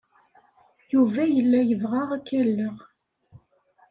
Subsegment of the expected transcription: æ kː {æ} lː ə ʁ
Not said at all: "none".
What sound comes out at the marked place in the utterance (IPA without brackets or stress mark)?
æ